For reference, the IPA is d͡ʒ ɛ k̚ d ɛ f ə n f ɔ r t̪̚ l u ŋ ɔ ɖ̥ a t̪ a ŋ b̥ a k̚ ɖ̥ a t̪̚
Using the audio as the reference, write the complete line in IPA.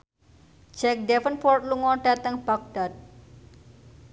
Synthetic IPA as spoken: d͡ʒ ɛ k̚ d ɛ f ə n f ɔ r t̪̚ l u ŋ ɔ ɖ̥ a t̪ ə ŋ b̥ a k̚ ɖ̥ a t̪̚